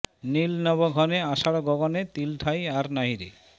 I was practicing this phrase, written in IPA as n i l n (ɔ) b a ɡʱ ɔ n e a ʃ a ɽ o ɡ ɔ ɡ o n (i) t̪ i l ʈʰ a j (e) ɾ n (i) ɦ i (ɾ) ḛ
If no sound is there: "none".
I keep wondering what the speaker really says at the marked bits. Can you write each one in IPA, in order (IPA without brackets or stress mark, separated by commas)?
ɔ, e, a, a, ɾ